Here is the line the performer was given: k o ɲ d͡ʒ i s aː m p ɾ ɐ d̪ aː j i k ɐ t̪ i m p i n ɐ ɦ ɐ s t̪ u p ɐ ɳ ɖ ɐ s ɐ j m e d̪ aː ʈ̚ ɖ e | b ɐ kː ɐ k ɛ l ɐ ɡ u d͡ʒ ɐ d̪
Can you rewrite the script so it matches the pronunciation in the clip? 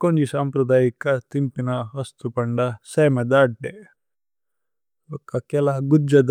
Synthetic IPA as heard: k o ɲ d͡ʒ i s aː m p ɾ ɐ d̪ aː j i k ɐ t̪ i m p i n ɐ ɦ ɐ s t̪ u p ɐ ɳ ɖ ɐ s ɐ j m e d̪ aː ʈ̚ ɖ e | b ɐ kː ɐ k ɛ l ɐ ɡ u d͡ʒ ɐ d̪